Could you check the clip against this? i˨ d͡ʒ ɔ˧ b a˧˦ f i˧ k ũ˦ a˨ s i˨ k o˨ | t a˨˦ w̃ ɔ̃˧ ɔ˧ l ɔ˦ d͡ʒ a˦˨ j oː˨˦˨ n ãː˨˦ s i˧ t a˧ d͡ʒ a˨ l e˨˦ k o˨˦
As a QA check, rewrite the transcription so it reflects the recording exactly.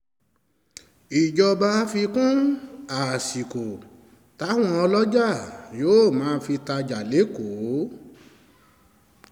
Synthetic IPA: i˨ d͡ʒ ɔ˧ b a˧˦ f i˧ k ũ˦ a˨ s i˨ k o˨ | t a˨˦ w̃ ɔ̃˧ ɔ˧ l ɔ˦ d͡ʒ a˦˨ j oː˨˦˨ m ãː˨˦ f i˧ t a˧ d͡ʒ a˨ l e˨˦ k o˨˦